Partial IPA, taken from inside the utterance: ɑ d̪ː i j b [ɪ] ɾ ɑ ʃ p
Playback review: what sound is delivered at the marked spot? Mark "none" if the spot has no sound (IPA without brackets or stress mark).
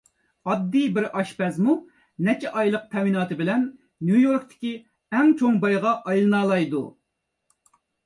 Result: ɪ